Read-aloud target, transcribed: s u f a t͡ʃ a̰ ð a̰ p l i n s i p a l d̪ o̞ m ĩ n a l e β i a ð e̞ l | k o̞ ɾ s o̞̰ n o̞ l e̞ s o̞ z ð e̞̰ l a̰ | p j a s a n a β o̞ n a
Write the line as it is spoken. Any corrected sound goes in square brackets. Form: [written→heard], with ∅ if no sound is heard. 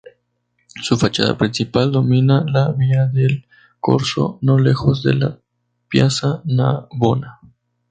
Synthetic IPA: s u f a t͡ʃ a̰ ð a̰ p [l→ɾ] i n s i p a l d̪ o̞ m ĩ n a l [e→a] β i a ð e̞ l | k o̞ ɾ s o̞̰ n o̞ l e̞ [s→x] o̞ z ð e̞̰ l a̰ | p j a s a n a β o̞ n a